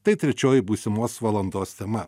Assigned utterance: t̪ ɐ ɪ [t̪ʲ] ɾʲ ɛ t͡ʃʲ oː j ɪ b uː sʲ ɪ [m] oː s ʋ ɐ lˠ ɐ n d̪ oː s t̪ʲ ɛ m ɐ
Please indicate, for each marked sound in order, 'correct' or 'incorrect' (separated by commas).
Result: correct, correct